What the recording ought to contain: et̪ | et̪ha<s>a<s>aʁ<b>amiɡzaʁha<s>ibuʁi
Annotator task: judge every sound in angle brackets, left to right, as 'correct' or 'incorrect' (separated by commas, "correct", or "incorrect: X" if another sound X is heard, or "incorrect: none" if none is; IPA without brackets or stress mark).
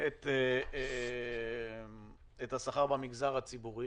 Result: correct, incorrect: χ, correct, incorrect: t͡s